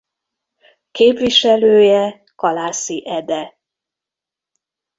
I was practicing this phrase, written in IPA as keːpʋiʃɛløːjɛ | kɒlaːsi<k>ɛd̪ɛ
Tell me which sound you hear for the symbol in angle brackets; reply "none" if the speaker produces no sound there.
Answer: ʔ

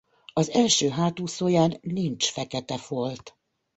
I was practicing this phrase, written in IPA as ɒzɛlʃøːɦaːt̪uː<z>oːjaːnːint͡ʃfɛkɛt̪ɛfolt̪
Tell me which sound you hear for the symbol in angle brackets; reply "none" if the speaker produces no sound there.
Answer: s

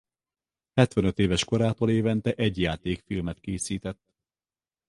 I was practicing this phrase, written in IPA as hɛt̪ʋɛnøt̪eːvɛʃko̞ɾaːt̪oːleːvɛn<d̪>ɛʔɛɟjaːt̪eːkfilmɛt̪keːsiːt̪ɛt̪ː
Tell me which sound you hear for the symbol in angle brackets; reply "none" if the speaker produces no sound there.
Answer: t̪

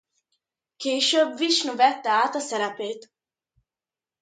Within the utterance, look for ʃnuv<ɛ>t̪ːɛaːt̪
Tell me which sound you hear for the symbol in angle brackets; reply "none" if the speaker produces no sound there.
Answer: ɛ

